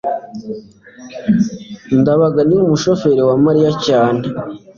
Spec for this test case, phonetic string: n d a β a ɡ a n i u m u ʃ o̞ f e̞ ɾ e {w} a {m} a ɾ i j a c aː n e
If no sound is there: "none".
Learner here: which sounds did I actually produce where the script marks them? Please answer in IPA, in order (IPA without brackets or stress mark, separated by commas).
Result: w, m